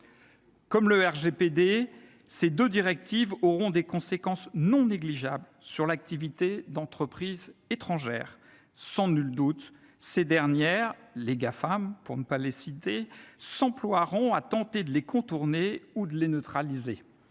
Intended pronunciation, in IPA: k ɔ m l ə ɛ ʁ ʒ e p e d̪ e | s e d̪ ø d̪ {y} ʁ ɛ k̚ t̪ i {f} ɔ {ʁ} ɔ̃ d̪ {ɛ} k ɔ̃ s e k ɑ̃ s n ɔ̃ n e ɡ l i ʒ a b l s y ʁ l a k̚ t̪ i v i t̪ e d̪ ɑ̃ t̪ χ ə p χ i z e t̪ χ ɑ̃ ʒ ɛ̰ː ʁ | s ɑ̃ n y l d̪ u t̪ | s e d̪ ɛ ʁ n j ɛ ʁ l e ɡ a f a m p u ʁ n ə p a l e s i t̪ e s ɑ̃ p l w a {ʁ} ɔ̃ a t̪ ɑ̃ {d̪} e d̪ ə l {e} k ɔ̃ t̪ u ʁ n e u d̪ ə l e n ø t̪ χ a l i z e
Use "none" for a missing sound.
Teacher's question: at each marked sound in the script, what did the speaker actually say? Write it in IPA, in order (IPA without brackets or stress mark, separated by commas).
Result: i, v, ʁ, e, ʁ, t̪, e